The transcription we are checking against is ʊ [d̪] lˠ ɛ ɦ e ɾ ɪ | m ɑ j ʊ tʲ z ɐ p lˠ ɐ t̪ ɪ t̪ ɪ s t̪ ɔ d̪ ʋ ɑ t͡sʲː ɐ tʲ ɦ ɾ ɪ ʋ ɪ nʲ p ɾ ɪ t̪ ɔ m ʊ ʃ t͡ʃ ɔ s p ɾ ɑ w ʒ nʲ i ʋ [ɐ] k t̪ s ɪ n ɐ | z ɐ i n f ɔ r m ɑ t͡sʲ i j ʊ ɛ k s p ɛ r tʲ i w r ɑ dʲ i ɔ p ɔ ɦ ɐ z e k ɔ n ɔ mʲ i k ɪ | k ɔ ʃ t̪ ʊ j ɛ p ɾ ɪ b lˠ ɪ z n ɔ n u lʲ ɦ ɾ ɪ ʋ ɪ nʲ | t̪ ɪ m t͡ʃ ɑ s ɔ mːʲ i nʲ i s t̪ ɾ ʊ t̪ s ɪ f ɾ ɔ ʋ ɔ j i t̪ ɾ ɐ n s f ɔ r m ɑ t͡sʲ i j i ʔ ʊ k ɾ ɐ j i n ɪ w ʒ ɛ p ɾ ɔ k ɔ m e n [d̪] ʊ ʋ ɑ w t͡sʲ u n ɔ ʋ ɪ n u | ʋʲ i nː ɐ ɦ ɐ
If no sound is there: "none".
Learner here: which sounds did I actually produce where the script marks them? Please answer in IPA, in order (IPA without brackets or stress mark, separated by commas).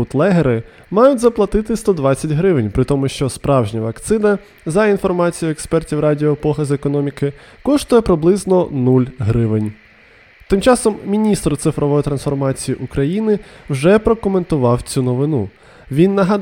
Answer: t̪, ɐ, t̪